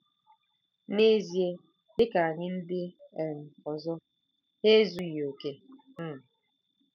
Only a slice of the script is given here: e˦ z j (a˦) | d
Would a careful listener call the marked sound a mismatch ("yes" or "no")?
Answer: yes